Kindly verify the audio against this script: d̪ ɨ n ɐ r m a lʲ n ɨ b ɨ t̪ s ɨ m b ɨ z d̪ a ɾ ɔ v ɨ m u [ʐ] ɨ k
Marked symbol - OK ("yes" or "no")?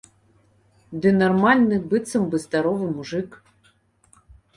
yes